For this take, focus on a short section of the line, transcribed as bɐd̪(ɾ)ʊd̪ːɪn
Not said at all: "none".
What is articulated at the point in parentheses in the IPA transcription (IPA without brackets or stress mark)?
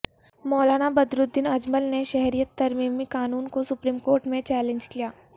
ɾ